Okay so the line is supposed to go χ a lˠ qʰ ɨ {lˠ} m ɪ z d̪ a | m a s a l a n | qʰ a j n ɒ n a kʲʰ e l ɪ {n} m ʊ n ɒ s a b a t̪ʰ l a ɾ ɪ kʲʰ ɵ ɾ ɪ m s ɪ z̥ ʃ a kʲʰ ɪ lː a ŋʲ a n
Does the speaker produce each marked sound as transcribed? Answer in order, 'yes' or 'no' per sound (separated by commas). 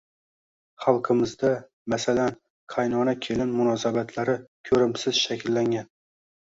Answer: no, yes